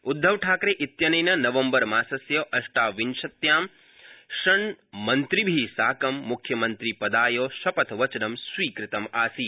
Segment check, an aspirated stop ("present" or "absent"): present